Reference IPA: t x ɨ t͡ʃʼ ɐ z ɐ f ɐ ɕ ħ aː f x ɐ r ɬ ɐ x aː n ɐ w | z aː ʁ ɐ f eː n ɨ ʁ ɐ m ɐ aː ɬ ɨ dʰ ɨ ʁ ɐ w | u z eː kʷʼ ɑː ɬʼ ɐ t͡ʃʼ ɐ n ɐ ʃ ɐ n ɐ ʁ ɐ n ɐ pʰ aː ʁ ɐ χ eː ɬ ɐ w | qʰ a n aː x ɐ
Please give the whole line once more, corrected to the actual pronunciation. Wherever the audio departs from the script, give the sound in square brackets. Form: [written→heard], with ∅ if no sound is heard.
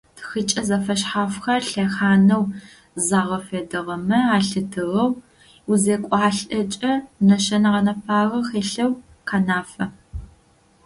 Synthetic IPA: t x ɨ t͡ʃʼ ɐ z ɐ f ɐ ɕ ħ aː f x ɐ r ɬ ɐ x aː n ɐ w | z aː ʁ ɐ f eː [n→d] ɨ ʁ ɐ m ɐ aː ɬ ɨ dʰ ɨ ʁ ɐ w | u z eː kʷʼ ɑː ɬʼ ɐ t͡ʃʼ ɐ n ɐ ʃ ɐ n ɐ ʁ ɐ n ɐ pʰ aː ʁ ɐ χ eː ɬ ɐ w | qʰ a n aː [x→f] ɐ